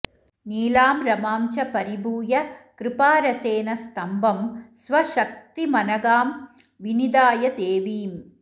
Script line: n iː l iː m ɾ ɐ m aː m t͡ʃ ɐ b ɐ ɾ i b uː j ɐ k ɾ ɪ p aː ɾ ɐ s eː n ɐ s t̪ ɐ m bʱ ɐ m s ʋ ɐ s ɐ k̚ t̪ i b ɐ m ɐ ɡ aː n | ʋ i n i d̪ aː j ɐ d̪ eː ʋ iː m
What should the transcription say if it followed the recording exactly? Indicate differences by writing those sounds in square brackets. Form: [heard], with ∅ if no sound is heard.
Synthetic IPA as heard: n iː l [aː] m ɾ ɐ m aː m t͡ʃ ɐ [p] ɐ ɾ i b uː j ɐ k ɾ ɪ p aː ɾ ɐ s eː n ɐ s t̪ ɐ m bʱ ɐ m s ʋ ɐ [ʃ] ɐ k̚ t̪ i [m] ɐ [n] ɐ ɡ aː [m] | ʋ i n i d̪ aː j ɐ d̪ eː ʋ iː m